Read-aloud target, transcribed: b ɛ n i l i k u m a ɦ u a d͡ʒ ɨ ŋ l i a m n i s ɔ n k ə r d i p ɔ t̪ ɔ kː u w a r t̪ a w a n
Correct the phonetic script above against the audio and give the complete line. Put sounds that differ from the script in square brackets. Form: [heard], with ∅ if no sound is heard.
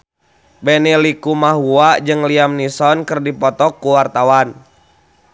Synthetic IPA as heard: b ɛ n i l i k u m a ɦ u a d͡ʒ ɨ ŋ l i a m n i s ɔ n k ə r d i p ɔ t̪ ɔ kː u w a r t̪ a w a n